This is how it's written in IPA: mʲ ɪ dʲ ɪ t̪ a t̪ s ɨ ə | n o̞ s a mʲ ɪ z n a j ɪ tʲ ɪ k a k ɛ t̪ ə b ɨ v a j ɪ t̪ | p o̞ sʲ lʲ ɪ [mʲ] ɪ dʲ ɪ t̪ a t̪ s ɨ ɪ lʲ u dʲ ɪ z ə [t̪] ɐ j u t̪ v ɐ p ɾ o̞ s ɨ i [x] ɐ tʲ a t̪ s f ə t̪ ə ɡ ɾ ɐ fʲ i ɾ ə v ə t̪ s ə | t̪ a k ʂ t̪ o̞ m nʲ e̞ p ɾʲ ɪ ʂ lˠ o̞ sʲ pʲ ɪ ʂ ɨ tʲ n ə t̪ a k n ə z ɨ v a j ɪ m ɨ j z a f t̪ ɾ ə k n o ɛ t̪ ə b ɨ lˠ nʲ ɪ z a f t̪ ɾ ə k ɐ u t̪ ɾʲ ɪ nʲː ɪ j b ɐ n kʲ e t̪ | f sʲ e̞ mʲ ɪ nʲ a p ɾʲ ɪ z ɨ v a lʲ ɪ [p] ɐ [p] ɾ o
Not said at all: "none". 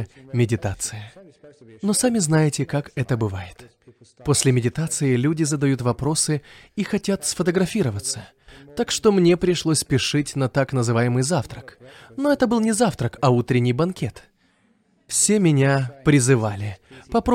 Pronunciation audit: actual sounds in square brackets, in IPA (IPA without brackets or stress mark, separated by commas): mʲ, d̪, x, p, p